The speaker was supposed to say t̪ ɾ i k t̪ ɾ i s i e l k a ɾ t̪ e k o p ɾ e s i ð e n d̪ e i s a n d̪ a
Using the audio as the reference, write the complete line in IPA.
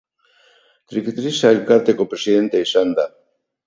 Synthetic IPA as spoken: t̪ ɾ i k t̪ ɾ i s a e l k a ɾ t̪ e k o p ɾ e s i ð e n t̪ e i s a n d̪ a